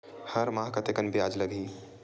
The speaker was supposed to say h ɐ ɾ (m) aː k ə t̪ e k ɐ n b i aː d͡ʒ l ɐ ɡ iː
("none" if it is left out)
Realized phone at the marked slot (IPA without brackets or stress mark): m